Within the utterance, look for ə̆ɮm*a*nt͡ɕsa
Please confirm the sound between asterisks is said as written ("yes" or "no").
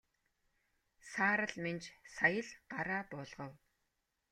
no